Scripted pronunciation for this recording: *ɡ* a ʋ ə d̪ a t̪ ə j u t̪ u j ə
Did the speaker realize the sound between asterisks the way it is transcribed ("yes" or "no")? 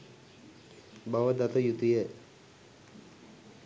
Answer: no